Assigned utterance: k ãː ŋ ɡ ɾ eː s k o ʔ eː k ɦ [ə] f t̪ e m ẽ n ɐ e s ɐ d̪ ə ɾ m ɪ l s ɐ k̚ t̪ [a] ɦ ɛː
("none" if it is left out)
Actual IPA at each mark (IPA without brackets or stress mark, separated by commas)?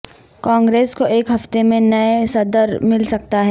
ɐ, a